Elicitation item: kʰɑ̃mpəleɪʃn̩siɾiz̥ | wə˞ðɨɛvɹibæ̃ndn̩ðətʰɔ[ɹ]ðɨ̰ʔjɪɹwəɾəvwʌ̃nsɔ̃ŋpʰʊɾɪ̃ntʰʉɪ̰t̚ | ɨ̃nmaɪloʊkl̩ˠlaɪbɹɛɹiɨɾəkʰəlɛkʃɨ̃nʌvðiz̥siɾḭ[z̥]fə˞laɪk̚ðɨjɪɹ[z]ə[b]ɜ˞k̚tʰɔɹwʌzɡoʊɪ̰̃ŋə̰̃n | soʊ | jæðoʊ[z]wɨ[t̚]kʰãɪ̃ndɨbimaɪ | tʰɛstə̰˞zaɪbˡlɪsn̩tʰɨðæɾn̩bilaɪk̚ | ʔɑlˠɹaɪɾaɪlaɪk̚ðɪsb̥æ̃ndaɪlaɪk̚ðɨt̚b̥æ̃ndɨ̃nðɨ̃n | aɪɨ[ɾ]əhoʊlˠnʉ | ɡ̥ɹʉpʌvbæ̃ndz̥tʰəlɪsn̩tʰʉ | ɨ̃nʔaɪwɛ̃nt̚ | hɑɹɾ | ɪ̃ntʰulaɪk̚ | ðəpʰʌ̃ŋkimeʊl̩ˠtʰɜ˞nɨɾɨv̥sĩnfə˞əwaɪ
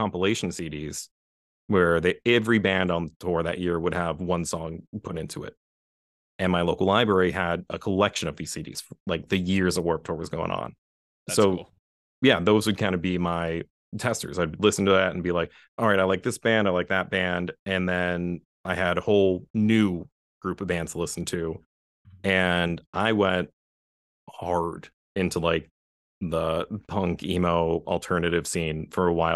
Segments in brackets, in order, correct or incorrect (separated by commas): correct, correct, correct, incorrect, correct, incorrect, correct